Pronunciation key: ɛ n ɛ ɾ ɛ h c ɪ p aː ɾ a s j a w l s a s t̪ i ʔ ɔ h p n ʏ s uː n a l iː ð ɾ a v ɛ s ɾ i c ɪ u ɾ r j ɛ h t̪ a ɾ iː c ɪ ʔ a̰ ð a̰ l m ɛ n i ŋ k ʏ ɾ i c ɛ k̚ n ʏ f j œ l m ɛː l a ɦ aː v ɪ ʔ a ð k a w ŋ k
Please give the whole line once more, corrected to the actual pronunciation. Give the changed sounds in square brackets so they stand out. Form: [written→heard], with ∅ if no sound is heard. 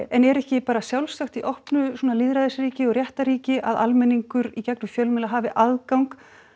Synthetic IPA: ɛ n ɛ ɾ ɛ h c ɪ p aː ɾ a s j a w l s a [s→x] t̪ i ʔ ɔ h p n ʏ s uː n a l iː ð ɾ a [v→ð] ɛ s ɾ [i→iː] c ɪ [u→ɔ] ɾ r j ɛ h t̪ a ɾ iː c ɪ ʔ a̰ ð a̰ l m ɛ n i ŋ k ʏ ɾ i c ɛ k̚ n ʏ f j œ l m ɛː l a ɦ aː v ɪ ʔ a ð k a w ŋ k